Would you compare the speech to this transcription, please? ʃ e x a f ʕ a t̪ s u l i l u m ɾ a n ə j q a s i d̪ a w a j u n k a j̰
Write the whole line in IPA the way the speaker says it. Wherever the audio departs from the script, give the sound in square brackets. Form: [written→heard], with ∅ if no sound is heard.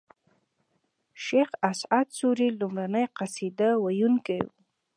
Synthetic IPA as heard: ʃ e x a [f→s] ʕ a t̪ s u [l→ɾ] i l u m ɾ a n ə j q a s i d̪ a w a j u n k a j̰